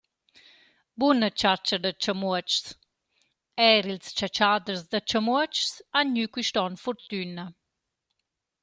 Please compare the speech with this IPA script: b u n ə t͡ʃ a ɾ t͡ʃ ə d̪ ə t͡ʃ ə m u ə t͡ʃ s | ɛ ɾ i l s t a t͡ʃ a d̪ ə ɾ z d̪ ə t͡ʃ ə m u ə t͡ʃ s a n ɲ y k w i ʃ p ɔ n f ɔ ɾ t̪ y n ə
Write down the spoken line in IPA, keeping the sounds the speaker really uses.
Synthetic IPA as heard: b u n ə t͡ʃ a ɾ t͡ʃ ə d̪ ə t͡ʃ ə m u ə t͡ʃ s | ɛ ɾ i l s t͡ʃ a t͡ʃ a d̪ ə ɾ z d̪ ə t͡ʃ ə m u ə t͡ʃ s a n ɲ y k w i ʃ t ɔ n f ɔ ɾ t̪ y n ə